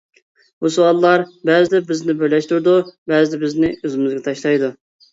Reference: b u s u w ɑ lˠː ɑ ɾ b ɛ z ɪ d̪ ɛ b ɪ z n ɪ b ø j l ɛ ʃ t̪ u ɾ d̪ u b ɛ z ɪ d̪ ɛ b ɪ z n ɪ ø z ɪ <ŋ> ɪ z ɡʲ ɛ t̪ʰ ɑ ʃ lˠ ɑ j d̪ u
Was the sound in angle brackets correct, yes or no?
no